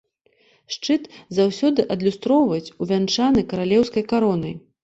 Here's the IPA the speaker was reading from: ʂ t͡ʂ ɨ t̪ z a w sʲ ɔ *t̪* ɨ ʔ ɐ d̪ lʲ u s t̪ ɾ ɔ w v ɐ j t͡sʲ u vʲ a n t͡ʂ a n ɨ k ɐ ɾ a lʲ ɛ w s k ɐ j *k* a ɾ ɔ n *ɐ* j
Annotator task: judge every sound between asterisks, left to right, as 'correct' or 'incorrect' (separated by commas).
incorrect, correct, correct